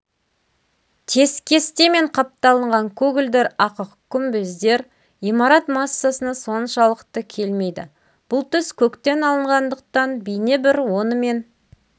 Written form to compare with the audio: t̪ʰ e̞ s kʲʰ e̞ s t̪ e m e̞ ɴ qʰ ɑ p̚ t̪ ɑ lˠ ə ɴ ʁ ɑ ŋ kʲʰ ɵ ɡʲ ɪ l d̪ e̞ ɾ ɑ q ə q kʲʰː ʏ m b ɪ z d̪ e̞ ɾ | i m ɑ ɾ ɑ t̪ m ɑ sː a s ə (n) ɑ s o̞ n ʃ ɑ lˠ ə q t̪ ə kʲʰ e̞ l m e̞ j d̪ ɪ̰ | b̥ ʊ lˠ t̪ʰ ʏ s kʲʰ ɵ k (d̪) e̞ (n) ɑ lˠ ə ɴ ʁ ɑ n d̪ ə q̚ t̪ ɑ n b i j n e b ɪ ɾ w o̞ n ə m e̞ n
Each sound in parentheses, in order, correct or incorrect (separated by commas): correct, incorrect, correct